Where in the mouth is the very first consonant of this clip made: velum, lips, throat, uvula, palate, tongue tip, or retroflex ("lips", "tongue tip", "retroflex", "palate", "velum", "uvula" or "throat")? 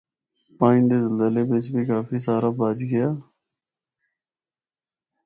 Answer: lips